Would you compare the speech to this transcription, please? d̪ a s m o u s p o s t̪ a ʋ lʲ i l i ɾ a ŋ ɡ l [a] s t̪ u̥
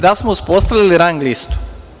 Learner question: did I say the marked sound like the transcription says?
no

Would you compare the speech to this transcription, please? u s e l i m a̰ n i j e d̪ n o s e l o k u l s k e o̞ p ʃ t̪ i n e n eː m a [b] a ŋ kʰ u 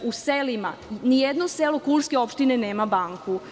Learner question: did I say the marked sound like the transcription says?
yes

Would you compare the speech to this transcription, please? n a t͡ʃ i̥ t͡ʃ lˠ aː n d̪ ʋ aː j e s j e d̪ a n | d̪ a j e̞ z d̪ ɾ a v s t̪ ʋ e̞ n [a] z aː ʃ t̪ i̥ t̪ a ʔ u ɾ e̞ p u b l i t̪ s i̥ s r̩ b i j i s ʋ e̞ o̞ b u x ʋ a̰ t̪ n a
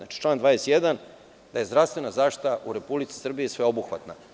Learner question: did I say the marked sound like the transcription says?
yes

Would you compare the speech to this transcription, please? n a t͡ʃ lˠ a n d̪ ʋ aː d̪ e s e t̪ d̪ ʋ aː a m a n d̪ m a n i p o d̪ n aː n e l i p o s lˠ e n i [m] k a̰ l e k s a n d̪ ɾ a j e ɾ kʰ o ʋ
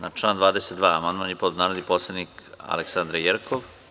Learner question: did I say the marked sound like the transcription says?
no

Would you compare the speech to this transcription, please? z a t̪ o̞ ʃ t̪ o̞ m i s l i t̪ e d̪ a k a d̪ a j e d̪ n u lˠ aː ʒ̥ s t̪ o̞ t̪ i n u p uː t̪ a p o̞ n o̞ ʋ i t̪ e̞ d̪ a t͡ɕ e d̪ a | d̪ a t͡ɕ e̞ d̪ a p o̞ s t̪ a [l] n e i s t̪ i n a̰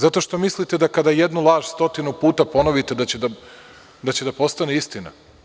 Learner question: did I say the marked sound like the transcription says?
no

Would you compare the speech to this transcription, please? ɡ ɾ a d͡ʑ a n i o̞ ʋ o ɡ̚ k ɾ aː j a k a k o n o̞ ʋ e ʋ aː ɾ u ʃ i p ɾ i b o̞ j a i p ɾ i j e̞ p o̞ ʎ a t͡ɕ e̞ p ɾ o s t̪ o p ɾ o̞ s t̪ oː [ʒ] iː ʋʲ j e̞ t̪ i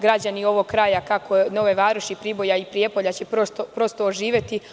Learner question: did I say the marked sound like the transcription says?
yes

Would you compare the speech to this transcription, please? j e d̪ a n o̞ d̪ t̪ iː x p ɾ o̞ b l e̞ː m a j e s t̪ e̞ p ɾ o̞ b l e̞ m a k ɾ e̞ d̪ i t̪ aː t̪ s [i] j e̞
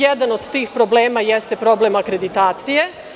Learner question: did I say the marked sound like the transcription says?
yes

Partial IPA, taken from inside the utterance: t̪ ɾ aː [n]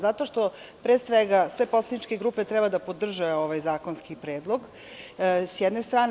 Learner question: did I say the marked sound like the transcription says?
yes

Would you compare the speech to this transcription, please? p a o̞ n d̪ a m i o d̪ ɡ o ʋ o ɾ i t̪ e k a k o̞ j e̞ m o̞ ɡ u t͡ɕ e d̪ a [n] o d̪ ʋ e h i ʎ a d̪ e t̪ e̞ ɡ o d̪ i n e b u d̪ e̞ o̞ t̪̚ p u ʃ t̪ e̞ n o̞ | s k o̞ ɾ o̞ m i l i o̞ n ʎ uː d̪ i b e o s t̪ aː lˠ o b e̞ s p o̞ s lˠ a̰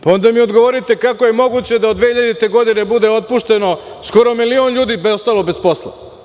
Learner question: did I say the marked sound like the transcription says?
no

